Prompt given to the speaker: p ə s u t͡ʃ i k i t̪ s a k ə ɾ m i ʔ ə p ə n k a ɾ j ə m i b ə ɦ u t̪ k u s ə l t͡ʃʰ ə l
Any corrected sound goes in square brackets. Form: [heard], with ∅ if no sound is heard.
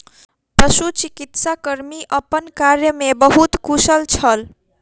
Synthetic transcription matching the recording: p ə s u t͡ʃ i k i t̪ s a k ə ɾ m i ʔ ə p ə n k a ɾ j ə m [e] b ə ɦ u t̪ k u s ə l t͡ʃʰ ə l